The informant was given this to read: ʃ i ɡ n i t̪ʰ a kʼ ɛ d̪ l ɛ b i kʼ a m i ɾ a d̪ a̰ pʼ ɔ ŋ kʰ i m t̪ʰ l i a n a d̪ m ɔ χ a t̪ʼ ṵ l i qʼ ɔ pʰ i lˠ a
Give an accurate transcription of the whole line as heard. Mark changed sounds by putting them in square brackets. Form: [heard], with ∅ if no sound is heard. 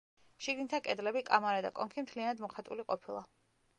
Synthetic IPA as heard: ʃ i ɡ n i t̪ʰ a kʼ ɛ d̪ l ɛ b i kʼ a m [a] ɾ a d̪ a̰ [kʼ] ɔ ŋ kʰ i m t̪ʰ l i a n a d̪ m ɔ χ a t̪ʼ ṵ l i qʼ ɔ pʰ i lˠ a